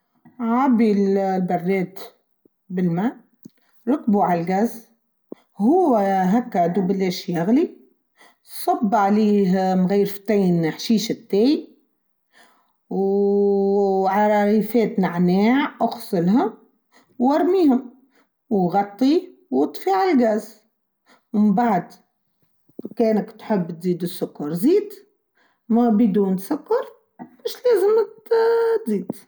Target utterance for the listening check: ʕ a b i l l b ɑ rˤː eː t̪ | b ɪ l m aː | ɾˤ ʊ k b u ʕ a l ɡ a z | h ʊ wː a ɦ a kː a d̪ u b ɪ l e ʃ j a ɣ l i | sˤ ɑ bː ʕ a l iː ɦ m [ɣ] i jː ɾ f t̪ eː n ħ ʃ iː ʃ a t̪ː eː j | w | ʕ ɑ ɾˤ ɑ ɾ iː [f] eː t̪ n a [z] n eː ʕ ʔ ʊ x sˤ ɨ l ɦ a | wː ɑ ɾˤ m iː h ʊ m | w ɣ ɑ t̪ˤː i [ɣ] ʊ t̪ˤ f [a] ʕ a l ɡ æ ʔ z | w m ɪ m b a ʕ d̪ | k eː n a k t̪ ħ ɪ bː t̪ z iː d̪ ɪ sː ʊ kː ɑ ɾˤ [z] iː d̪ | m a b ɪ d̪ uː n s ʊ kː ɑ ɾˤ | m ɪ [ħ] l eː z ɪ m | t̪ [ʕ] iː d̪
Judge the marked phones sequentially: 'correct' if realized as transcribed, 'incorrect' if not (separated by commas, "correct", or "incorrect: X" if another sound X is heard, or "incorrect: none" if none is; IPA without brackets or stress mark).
correct, correct, incorrect: ʕ, incorrect: w, incorrect: i, correct, incorrect: ʃ, incorrect: z